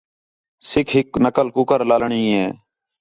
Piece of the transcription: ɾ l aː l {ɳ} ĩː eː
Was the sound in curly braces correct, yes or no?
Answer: yes